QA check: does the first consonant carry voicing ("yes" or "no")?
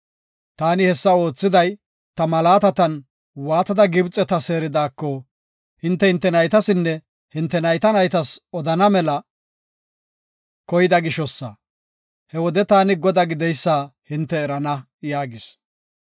no